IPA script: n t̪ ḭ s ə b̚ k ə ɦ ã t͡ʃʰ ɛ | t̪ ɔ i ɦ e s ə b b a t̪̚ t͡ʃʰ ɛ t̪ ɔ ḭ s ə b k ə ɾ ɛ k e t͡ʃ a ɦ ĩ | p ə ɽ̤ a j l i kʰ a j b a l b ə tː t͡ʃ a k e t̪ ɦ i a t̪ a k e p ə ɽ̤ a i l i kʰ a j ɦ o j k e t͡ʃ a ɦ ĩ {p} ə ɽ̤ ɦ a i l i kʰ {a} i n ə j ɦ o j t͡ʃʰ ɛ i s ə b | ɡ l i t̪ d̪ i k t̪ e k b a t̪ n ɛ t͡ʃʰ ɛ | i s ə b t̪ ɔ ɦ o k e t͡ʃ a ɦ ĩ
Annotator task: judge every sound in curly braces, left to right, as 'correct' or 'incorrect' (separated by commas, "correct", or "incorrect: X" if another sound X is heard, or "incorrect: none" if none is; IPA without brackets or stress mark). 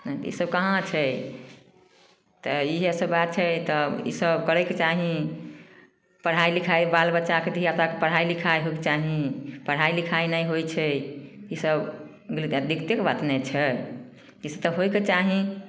correct, correct